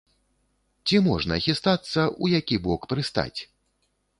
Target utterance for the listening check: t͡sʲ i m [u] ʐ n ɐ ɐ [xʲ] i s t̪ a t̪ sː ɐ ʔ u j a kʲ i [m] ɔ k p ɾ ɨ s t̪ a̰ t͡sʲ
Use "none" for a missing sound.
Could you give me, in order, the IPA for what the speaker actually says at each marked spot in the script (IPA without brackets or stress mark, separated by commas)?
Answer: ɔ, xʲ, b